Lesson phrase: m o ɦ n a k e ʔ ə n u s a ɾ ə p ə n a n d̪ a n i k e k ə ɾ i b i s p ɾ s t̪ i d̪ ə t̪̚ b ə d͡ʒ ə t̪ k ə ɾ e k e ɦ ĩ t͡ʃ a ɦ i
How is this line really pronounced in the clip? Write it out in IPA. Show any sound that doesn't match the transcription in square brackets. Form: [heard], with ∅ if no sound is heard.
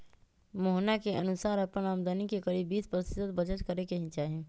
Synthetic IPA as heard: m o ɦ n a k e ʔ ə n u s a ɾ ə p ə n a [m] d̪ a n i k e k ə ɾ i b i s p ɾ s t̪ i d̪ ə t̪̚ b ə d͡ʒ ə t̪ k ə ɾ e k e ɦ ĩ t͡ʃ a ɦ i